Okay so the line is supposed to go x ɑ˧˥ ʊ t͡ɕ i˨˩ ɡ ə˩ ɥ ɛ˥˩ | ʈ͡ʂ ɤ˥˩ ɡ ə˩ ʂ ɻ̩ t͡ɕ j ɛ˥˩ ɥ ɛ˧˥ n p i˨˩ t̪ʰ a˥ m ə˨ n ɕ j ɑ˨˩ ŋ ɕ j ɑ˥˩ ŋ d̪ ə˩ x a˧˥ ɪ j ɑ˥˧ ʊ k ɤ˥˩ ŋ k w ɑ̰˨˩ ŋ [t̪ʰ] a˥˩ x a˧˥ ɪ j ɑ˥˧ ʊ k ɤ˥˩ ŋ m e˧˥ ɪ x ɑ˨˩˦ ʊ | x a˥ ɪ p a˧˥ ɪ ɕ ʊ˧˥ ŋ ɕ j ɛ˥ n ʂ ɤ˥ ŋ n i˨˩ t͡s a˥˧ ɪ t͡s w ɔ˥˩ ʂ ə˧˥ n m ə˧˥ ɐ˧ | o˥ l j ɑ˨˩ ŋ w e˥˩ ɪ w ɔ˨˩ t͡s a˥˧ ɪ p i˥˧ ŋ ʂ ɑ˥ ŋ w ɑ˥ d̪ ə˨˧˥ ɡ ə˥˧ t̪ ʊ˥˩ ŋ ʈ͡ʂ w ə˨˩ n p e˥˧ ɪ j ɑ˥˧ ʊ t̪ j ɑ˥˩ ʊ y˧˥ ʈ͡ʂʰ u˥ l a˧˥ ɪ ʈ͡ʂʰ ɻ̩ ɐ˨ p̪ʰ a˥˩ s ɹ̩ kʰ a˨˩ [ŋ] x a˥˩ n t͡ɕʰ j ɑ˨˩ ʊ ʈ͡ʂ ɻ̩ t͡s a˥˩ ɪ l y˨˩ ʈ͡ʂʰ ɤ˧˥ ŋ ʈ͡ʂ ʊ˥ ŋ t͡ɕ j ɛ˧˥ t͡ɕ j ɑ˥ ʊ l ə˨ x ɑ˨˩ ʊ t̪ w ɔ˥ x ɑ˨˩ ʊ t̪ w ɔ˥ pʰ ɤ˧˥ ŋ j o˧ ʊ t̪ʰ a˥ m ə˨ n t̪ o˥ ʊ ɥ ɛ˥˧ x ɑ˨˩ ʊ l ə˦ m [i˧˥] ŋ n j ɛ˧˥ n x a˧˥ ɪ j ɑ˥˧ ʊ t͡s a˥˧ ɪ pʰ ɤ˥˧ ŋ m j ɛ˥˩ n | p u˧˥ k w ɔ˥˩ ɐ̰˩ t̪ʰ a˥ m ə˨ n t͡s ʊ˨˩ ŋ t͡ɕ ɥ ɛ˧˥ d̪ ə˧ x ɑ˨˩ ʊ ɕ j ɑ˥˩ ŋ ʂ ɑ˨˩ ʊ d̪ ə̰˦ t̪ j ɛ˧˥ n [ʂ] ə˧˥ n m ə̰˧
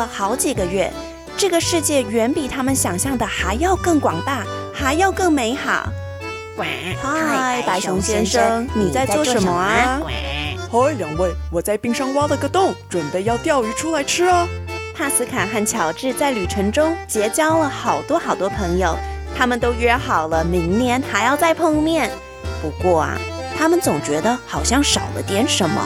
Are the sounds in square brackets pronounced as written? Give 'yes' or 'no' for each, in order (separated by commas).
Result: no, no, yes, yes